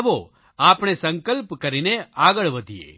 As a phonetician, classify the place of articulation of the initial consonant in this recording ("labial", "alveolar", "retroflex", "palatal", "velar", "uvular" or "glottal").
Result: labial